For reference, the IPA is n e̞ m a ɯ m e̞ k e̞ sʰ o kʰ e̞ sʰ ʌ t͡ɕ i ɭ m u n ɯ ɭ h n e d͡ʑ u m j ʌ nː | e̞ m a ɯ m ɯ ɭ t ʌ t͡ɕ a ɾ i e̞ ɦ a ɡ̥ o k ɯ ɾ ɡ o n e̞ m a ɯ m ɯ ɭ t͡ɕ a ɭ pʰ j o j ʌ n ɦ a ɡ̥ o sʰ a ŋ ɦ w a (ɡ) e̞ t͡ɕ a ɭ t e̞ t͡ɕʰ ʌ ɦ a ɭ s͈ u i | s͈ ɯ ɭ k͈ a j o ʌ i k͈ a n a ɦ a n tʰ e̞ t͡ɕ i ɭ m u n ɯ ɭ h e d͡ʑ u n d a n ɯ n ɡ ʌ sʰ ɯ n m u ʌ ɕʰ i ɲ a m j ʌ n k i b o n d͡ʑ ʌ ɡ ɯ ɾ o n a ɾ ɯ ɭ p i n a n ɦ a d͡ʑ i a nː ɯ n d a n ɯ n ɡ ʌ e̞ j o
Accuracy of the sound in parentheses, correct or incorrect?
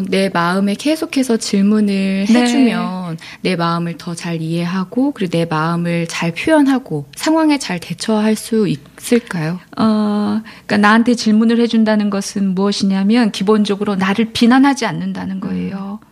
incorrect